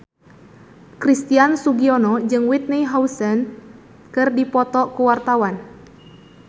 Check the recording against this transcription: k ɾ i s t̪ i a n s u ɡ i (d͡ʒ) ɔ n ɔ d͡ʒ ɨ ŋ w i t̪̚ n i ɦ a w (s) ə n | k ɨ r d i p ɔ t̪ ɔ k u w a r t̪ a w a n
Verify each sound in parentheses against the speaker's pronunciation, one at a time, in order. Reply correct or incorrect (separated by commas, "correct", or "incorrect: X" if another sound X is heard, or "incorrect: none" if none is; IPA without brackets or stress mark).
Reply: incorrect: none, correct